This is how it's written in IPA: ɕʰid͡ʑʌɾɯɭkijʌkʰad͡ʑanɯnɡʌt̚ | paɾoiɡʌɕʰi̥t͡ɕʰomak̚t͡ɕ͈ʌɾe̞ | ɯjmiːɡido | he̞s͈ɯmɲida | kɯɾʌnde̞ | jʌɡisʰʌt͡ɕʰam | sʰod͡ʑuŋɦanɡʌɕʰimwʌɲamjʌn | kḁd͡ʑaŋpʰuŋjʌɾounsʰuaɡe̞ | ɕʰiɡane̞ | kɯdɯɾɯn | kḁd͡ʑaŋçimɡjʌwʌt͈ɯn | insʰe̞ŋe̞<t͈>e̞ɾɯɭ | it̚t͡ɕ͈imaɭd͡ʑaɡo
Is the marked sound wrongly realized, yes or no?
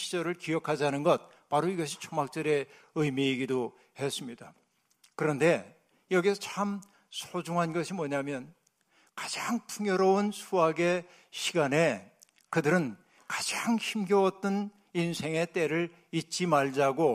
no